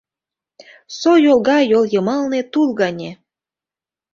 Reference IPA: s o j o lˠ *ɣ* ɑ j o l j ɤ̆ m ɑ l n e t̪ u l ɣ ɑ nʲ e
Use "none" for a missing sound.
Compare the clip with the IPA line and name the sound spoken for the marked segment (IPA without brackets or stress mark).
ɣ